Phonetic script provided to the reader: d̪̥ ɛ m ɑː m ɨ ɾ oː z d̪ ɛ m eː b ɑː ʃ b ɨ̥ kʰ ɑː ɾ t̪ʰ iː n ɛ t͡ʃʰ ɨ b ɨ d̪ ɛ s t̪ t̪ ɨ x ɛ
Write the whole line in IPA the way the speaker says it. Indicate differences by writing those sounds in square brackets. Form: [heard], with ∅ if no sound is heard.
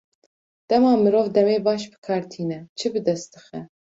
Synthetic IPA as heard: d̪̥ ɛ m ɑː m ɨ ɾ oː [v] d̪ ɛ m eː b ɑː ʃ b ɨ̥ kʰ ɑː ɾ t̪ʰ iː n ɛ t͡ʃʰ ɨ b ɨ d̪ ɛ s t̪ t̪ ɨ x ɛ